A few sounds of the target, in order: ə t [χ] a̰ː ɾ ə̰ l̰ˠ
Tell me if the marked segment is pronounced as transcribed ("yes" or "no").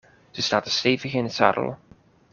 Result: no